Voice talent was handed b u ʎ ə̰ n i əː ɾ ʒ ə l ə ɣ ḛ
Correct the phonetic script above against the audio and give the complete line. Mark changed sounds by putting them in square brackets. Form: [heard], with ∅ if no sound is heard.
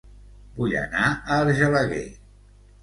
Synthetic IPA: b u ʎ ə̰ n [a] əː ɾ ʒ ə l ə ɣ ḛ